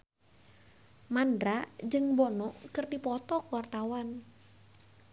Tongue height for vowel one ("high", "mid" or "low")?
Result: low